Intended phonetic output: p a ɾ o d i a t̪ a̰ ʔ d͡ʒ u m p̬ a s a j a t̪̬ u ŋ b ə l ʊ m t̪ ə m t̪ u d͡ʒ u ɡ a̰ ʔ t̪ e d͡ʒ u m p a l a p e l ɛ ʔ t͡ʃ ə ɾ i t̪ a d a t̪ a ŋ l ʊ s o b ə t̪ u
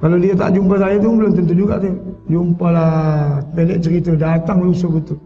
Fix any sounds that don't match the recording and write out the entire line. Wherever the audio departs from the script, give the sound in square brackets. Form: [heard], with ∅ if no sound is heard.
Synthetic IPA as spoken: [k] a [l] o d i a t̪ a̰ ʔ d͡ʒ u m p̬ a s a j a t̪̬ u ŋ b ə l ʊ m t̪ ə [n] t̪ u d͡ʒ u ɡ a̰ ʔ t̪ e d͡ʒ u m p a l a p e l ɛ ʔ t͡ʃ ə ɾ i t̪ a d a t̪ a ŋ l [u] s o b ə t̪ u